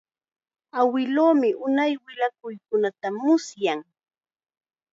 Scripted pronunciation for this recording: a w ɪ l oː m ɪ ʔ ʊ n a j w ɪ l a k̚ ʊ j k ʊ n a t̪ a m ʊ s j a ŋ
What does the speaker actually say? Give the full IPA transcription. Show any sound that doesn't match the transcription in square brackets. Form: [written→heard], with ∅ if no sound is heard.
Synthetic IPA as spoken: a w ɪ l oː m ɪ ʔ ʊ n a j w ɪ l a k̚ ʊ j k ʊ n a t̪ a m ʊ s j a ŋ